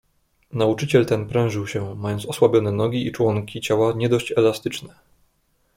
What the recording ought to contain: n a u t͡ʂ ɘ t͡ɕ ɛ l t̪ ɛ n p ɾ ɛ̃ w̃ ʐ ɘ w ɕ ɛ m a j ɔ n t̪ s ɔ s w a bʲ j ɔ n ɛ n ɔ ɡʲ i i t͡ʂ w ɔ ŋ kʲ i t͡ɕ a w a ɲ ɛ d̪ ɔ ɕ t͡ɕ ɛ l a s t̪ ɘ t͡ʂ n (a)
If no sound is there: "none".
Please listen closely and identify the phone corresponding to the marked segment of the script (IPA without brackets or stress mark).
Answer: ɛ